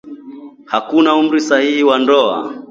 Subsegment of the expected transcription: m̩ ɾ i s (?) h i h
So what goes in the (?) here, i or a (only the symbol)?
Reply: a